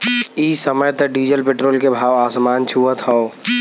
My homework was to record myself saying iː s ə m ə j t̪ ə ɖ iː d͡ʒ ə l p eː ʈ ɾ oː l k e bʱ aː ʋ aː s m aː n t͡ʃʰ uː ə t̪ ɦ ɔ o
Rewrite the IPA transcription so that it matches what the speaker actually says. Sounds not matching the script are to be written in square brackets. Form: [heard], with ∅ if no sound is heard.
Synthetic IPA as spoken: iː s ə m ə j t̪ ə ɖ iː d͡ʒ ə l p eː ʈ ɾ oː l k e bʱ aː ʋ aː s m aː n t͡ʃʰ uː ə t̪ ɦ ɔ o